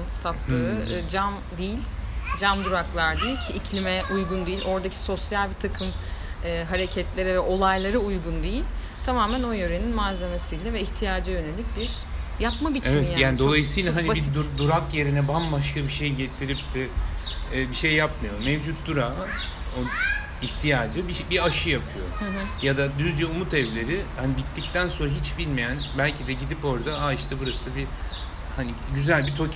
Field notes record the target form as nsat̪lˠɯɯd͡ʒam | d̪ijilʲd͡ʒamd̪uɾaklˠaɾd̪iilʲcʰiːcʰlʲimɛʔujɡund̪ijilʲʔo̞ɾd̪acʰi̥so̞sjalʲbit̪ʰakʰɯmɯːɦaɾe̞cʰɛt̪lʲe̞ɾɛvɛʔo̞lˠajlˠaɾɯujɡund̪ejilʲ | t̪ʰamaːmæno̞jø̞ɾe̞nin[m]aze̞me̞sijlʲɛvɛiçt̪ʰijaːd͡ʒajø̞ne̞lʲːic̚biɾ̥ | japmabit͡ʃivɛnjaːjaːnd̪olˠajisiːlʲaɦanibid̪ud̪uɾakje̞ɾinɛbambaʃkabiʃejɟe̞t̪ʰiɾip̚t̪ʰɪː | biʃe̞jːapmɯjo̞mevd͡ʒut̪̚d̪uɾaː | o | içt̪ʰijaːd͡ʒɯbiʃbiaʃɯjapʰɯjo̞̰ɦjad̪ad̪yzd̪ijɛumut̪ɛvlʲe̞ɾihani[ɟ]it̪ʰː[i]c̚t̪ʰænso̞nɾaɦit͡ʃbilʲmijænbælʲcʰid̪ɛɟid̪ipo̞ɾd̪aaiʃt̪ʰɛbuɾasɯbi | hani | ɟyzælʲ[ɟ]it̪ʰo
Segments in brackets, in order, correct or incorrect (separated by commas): correct, incorrect, correct, incorrect